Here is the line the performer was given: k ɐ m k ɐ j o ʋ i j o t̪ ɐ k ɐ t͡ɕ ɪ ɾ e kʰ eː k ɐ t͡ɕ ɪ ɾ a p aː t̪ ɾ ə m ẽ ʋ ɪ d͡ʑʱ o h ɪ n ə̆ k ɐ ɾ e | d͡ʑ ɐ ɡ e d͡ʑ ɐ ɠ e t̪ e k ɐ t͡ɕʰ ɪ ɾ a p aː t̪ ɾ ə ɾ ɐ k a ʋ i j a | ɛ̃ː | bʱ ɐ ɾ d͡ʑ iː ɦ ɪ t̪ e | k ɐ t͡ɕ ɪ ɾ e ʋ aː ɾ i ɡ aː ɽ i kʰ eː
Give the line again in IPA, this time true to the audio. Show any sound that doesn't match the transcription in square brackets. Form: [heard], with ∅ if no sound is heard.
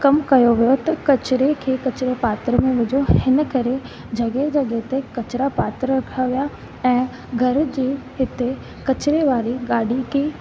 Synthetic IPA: k ɐ m k ɐ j o ʋ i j o t̪ ɐ k ɐ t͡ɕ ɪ ɾ e kʰ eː k ɐ t͡ɕ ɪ ɾ [e] p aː t̪ ɾ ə m ẽ ʋ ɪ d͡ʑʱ o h ɪ n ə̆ k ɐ ɾ e | d͡ʑ ɐ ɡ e d͡ʑ ɐ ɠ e t̪ e k ɐ [t͡ɕ] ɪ ɾ a p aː t̪ ɾ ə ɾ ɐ [kʰ] a ʋ i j a | ɛ̃ː | [ɡʱ] ɐ ɾ d͡ʑ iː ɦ ɪ t̪ e | k ɐ t͡ɕ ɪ ɾ e ʋ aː ɾ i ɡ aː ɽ i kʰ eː

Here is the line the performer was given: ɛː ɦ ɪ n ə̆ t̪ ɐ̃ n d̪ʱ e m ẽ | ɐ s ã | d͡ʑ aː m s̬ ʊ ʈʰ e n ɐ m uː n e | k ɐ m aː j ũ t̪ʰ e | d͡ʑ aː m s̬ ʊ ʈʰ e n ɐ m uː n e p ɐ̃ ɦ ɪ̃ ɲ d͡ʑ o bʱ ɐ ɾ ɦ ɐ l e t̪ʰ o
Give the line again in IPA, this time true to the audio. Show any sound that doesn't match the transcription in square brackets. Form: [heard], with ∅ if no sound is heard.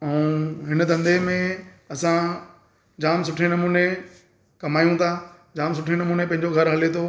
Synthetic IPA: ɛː ɦ ɪ n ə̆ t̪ ɐ̃ n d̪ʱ e m ẽ | ɐ s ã | d͡ʑ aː m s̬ ʊ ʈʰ e n ɐ m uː n e | k ɐ m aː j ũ t̪ʰ [a] | d͡ʑ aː m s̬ ʊ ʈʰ e n ɐ m uː n e p ɐ̃ ɦ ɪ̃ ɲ d͡ʑ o [ɡʱ] ɐ ɾ ɦ ɐ l e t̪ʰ o

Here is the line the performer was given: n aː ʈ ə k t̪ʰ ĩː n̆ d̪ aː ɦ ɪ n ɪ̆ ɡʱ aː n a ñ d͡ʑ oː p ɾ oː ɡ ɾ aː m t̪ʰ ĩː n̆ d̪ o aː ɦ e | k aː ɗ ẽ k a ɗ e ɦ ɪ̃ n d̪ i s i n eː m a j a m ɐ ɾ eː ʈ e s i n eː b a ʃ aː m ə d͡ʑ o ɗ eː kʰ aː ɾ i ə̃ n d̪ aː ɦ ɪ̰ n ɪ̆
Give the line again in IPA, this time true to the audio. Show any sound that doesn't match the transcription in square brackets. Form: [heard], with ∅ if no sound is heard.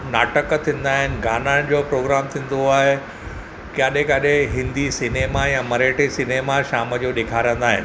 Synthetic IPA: n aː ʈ ə k t̪ʰ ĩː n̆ d̪ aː ɦ ɪ n ɪ̆ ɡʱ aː n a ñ d͡ʑ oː p ɾ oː ɡ ɾ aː m t̪ʰ ĩː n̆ d̪ o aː ɦ e | k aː ɗ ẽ k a ɗ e ɦ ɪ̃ n d̪ i s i n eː m a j a m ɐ ɾ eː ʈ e s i n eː [m] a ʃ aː m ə d͡ʑ o ɗ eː kʰ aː ɾ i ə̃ n d̪ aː ɦ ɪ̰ n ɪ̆

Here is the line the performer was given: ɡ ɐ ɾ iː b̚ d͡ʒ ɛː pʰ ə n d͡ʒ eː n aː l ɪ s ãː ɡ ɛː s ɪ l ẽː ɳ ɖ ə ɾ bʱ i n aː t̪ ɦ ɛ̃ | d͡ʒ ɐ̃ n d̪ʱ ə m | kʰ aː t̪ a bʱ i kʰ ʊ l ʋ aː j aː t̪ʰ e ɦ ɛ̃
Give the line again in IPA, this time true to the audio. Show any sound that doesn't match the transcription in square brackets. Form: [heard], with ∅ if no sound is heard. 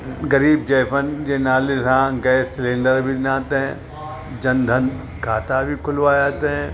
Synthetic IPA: ɡ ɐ ɾ iː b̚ d͡ʒ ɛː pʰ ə n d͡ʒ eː n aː l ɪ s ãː ɡ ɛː s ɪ l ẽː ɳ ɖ ə ɾ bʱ i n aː t̪ ɦ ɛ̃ | d͡ʒ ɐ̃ n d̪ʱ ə [n] | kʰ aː t̪ a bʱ i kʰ ʊ l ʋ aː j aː [t̪] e ɦ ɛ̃

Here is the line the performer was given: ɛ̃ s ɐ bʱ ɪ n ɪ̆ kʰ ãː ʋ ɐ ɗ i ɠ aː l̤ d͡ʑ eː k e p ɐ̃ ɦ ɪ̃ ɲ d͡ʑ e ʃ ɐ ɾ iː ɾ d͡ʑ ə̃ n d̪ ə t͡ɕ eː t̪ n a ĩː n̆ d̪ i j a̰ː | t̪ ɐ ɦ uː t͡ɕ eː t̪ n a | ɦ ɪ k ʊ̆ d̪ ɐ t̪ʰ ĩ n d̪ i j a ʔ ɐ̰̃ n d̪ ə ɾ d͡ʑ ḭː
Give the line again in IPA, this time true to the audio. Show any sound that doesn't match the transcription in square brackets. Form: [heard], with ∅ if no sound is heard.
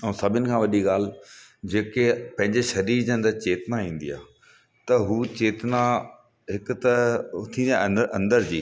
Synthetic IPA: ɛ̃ s ɐ bʱ ɪ n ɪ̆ kʰ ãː ʋ ɐ ɗ i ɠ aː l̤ d͡ʑ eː k e p ɐ̃ ɦ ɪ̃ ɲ d͡ʑ e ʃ ɐ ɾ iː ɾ d͡ʑ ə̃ n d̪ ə t͡ɕ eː t̪ n a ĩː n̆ d̪ i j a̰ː | t̪ ɐ ɦ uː t͡ɕ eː t̪ n a | ɦ ɪ k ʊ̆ [t̪] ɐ t̪ʰ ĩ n d̪ i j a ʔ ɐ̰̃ n d̪ ə ɾ d͡ʑ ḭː

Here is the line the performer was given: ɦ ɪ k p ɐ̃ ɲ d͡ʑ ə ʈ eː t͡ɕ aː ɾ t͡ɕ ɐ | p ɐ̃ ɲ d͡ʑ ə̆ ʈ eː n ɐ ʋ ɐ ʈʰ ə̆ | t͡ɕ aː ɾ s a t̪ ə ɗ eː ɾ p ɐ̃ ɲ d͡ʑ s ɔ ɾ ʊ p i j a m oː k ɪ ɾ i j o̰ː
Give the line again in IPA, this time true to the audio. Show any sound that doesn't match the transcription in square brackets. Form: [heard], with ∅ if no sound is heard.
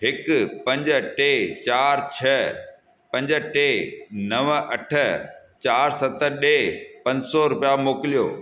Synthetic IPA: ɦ ɪ k p ɐ̃ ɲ d͡ʑ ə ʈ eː t͡ɕ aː ɾ [t͡ɕʰ] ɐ | p ɐ̃ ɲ d͡ʑ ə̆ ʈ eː n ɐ ʋ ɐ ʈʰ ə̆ | t͡ɕ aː ɾ s [ɐ] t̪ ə ɗ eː [∅] p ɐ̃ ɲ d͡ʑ s ɔ ɾ ʊ p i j a m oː k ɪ [l] i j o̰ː

